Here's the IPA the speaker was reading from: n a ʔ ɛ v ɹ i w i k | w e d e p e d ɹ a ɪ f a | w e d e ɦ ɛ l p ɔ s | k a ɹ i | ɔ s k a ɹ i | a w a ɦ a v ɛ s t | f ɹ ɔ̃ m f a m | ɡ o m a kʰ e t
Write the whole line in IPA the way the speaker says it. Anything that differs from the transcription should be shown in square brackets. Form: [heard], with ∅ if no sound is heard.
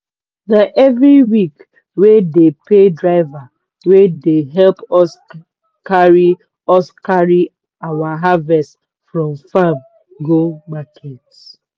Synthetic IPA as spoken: n a ʔ ɛ v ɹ i w i k | w e d e p e d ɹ a ɪ [v] a | w e d e ɦ ɛ l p ɔ s | k a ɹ i | ɔ s k a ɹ i | a w a ɦ a v ɛ s t | f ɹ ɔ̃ m f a m | ɡ o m a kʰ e t